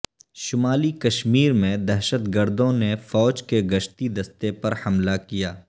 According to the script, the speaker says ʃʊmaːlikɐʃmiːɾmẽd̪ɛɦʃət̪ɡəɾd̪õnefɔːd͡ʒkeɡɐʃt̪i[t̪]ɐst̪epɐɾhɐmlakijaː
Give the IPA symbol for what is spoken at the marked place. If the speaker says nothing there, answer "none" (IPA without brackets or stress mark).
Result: d̪